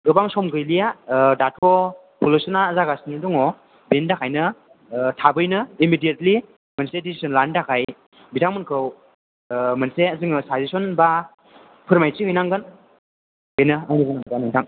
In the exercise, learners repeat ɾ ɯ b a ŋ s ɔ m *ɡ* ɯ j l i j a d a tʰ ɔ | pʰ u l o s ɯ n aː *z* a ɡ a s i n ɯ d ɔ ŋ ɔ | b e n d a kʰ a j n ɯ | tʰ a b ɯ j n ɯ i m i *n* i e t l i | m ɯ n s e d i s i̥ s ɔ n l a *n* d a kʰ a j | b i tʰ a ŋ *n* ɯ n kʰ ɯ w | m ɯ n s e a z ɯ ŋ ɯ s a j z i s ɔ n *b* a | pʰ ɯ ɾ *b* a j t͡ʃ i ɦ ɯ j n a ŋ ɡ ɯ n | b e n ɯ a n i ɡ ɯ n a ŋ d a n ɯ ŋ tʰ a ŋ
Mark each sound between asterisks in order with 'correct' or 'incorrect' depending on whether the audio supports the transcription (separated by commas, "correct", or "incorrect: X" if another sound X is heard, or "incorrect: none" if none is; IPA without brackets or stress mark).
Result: correct, correct, incorrect: d, correct, incorrect: m, correct, incorrect: m